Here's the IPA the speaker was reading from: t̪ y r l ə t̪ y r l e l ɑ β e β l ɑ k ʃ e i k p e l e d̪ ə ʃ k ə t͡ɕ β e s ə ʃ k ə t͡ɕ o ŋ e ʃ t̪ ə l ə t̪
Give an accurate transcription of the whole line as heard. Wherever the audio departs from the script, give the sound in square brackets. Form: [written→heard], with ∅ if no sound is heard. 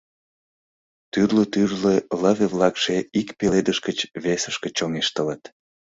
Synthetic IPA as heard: t̪ y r l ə t̪ y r l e l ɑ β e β l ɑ k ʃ e i k p e l e d̪ ə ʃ k ə t͡ɕ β e s ə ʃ k ə t͡ɕ o ŋ e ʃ t̪ ə l ə t̪